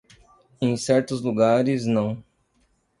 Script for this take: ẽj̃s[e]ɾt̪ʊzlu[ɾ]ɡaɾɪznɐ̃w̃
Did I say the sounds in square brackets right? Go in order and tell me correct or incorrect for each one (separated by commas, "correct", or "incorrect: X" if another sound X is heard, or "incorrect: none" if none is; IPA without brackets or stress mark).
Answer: incorrect: ɛ, incorrect: none